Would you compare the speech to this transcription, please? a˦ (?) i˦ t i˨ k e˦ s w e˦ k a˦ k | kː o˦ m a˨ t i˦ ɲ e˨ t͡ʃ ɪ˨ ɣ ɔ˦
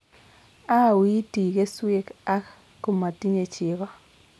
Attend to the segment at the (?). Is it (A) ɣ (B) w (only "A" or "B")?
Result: B